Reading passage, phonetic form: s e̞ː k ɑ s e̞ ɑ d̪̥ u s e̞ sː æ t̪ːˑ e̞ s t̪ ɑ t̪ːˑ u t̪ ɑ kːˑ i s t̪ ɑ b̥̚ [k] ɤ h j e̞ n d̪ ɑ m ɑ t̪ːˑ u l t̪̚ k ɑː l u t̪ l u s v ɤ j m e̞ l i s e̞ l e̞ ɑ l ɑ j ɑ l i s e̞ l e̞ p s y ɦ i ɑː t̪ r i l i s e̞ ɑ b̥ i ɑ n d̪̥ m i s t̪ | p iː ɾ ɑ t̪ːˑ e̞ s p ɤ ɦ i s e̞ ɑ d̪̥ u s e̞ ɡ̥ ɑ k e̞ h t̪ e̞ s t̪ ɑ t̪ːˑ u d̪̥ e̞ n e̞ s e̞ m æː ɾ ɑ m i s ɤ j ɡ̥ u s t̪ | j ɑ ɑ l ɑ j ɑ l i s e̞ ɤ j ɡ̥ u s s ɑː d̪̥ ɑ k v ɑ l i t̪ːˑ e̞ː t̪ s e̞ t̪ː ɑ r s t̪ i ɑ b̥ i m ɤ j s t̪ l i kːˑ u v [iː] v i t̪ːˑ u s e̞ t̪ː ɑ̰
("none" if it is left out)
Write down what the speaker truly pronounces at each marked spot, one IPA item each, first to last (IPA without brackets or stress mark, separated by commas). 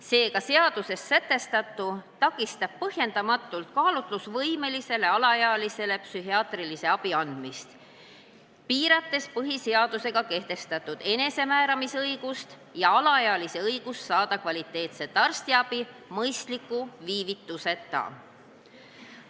p, iː